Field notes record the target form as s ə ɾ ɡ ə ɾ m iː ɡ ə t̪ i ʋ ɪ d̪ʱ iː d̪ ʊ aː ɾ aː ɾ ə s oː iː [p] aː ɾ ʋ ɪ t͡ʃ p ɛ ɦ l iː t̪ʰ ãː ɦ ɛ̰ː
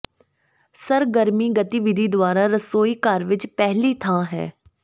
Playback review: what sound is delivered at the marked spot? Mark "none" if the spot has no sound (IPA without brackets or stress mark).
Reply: k